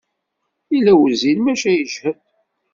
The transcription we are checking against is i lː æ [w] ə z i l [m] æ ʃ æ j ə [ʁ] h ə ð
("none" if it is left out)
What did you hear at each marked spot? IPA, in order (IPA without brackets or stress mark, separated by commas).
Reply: w, m, ʒ